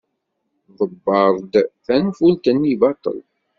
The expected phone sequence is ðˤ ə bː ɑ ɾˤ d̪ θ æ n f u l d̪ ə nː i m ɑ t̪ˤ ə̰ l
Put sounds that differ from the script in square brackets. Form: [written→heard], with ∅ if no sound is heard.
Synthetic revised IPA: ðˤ ə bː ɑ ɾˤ d̪ θ æ n f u l [d̪→t̪] ə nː i [m→b] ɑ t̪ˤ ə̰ l